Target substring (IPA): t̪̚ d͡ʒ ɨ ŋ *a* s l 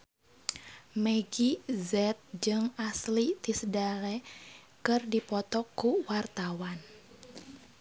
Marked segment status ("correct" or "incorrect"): correct